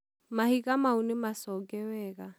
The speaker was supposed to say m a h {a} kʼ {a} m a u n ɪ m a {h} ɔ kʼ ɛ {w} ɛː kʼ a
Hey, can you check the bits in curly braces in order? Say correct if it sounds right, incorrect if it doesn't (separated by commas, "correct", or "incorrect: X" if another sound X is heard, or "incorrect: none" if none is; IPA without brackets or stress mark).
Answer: incorrect: i, correct, incorrect: s, correct